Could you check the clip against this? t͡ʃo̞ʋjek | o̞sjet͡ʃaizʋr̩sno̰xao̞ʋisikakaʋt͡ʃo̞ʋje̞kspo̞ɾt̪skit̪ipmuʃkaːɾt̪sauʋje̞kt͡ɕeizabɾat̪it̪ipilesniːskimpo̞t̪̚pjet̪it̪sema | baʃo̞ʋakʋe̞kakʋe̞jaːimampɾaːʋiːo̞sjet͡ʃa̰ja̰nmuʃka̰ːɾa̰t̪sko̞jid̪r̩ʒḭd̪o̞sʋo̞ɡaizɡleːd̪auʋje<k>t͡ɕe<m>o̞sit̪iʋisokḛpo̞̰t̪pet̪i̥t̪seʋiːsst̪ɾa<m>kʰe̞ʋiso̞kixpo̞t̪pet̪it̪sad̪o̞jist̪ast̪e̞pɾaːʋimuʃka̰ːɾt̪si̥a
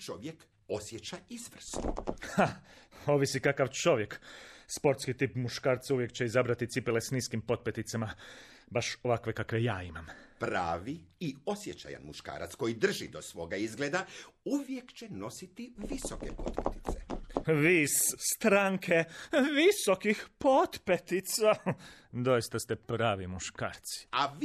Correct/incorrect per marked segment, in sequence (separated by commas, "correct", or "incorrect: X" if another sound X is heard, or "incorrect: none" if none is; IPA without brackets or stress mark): correct, incorrect: n, incorrect: ŋ